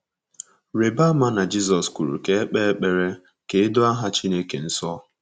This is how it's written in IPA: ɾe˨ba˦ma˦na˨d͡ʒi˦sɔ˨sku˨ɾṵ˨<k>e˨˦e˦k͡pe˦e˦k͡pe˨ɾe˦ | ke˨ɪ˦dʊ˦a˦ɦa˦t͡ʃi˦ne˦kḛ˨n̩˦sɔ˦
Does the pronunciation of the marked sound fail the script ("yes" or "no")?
no